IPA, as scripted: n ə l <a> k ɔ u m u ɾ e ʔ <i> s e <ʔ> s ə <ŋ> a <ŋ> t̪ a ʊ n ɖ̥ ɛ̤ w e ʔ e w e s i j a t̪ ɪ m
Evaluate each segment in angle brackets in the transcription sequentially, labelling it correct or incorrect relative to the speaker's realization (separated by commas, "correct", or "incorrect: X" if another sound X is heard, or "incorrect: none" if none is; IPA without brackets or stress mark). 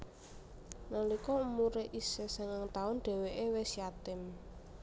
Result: incorrect: i, correct, incorrect: none, correct, correct